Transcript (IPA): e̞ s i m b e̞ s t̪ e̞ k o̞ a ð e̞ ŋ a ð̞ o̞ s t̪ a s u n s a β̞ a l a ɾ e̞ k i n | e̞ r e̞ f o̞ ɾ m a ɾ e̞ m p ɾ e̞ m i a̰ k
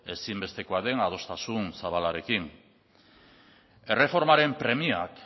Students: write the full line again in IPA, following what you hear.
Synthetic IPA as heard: e̞ s i m b e̞ s t̪ e̞ k o̞ a ð e̞ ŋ a ð̞ o̞ s t̪ a s u n s a β̞ a l a ɾ e̞ k i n | e̞ r e̞ f o̞ ɾ m a ɾ e̞ m p ɾ e̞ m i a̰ k